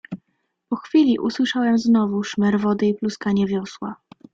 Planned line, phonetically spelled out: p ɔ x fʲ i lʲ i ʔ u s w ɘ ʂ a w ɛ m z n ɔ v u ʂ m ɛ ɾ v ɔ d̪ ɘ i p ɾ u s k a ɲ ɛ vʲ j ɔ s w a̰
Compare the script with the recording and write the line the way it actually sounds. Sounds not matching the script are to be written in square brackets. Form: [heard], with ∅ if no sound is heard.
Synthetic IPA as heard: p ɔ x fʲ i lʲ i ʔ u s w ɘ ʂ a w ɛ m z n ɔ v u ʂ m ɛ ɾ v ɔ d̪ ɘ i p [l] u s k a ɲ ɛ vʲ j ɔ s w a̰